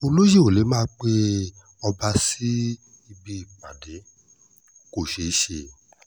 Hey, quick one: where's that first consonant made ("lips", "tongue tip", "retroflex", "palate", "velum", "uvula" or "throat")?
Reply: tongue tip